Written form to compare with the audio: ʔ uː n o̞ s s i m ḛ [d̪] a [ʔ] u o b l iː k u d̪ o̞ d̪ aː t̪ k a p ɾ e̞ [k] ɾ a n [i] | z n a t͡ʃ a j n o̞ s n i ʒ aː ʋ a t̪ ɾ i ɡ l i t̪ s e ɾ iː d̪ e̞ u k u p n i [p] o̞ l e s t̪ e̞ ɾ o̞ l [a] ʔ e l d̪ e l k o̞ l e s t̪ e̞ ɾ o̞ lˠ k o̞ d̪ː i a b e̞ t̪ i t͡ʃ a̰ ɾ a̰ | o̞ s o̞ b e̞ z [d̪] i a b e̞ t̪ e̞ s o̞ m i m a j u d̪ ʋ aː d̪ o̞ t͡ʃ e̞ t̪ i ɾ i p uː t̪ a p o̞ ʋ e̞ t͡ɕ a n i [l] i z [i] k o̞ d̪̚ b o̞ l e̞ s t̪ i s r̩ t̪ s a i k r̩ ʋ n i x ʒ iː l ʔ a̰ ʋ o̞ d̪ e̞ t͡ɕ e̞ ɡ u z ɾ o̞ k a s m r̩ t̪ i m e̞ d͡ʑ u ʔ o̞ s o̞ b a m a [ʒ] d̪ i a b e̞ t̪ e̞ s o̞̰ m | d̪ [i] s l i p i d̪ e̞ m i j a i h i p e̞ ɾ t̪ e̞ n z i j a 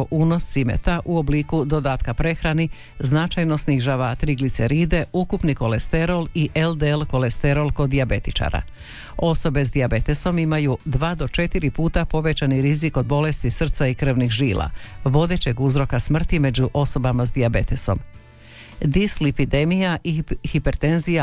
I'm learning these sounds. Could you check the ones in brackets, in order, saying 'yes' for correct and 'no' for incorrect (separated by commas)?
no, yes, no, yes, no, no, yes, no, yes, no, yes